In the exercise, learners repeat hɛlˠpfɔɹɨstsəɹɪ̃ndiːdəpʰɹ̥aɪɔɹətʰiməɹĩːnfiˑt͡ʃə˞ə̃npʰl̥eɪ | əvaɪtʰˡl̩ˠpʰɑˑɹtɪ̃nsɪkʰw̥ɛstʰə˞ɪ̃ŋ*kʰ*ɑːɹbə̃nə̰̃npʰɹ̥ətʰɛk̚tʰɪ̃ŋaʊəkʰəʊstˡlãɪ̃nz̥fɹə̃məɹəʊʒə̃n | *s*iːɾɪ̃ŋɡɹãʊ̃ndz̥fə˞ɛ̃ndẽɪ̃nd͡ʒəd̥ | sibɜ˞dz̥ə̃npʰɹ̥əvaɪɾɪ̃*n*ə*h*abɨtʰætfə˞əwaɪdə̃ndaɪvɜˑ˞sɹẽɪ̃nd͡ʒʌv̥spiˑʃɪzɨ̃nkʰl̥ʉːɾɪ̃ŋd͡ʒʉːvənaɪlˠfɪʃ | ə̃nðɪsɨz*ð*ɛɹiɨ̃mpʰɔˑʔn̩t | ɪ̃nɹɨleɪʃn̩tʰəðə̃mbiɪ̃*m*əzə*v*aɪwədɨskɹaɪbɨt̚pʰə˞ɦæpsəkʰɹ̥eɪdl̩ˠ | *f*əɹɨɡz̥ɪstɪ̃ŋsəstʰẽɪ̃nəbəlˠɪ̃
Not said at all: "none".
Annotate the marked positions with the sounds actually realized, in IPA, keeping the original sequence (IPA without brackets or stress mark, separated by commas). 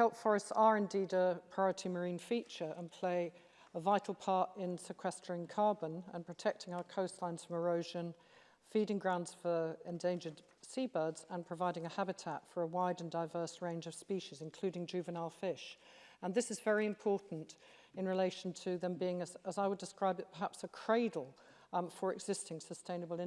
kʰ, f, ŋ, h, v, ŋ, z, f